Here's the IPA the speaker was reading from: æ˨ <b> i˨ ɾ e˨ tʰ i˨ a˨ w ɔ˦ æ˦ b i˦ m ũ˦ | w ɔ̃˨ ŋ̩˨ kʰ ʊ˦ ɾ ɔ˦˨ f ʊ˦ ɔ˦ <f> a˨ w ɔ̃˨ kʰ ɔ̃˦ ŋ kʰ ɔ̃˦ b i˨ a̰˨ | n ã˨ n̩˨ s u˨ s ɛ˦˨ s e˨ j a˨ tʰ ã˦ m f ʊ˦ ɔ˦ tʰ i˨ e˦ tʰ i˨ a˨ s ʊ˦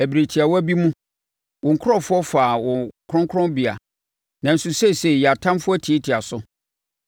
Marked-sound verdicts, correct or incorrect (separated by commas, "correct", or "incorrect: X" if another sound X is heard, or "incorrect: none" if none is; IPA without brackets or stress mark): correct, correct